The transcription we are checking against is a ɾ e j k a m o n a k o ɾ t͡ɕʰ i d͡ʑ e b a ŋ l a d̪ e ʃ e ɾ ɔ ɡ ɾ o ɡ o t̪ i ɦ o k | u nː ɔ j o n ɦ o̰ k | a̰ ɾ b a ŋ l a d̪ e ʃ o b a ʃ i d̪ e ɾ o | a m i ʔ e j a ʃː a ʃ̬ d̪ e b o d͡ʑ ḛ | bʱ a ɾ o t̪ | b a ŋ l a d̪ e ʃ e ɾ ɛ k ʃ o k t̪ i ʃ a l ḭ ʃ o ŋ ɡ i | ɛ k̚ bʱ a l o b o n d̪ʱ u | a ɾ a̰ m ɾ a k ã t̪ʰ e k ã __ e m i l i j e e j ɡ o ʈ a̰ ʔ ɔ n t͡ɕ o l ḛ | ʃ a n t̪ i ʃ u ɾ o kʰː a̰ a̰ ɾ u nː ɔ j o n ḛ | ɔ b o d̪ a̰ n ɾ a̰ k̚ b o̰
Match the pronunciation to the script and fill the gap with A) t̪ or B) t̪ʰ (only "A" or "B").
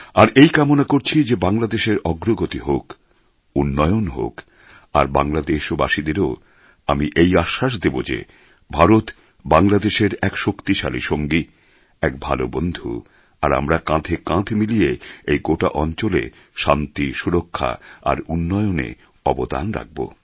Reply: B